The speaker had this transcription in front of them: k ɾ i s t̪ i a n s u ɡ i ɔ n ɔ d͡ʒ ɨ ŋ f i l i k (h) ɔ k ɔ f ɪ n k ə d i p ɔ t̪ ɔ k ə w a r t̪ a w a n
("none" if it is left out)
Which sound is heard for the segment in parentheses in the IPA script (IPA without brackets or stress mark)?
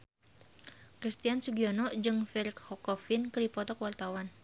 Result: h